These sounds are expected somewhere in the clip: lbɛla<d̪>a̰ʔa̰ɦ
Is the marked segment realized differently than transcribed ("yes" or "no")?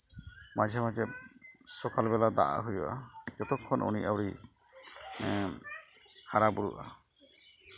no